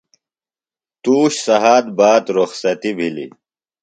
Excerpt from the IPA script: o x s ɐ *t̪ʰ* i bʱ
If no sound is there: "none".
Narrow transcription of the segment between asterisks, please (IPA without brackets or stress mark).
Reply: t̪